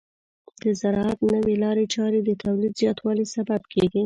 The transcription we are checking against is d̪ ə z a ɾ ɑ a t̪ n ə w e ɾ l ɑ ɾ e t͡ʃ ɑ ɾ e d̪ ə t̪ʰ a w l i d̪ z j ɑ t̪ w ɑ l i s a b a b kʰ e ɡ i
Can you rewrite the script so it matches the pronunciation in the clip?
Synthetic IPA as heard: d̪ ə z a ɾ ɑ a t̪ n ə w e l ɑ ɾ e t͡ʃ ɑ ɾ e d̪ ə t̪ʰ a w l i d̪ z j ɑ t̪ w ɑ l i s a b a b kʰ e ɡ i